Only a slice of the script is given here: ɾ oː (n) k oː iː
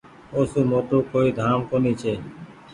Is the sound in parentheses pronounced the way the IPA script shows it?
no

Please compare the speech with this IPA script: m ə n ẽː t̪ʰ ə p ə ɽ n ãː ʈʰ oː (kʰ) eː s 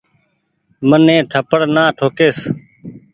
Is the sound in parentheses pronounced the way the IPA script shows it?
no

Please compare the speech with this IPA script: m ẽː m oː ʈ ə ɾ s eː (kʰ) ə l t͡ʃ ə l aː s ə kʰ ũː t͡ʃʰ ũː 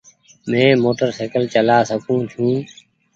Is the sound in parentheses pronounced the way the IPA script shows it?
no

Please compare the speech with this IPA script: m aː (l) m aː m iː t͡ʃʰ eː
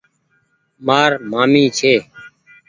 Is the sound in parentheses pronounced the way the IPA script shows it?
no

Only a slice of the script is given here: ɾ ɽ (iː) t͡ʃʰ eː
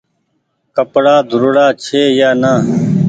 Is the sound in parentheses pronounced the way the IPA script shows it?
no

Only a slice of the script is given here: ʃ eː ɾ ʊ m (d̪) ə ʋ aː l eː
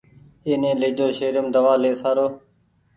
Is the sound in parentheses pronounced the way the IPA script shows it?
yes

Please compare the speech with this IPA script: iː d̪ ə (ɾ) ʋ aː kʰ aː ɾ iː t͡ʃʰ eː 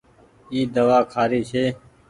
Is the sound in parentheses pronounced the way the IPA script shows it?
no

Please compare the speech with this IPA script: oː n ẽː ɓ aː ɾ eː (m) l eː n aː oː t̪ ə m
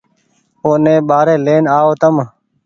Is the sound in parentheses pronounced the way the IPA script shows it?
no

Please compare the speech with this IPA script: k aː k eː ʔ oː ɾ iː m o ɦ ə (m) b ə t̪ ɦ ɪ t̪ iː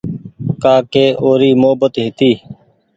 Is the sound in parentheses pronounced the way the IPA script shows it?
no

